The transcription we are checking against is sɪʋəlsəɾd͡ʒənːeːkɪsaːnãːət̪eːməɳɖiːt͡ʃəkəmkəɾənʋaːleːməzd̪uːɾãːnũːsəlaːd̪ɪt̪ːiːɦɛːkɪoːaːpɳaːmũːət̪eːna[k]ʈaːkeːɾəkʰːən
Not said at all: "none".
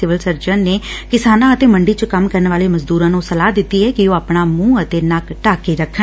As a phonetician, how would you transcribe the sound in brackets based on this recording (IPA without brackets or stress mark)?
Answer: k